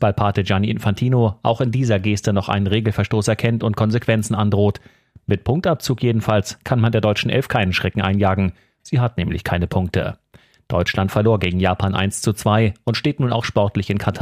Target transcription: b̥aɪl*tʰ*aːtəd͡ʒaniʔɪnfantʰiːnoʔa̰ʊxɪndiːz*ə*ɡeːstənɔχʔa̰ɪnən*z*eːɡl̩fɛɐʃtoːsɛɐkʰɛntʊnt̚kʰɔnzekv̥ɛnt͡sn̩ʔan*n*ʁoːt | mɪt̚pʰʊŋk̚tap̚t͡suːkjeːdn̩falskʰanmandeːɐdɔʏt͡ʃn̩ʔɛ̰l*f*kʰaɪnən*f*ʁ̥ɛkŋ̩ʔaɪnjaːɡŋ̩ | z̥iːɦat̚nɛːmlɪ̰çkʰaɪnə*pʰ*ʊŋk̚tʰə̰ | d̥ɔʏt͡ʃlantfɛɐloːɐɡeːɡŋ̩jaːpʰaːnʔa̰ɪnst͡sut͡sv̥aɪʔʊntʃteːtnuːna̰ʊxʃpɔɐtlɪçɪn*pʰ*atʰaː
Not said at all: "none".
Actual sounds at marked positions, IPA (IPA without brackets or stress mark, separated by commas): pʰ, ɐ, ʁ, d, f, ʃ, pʰ, kʰ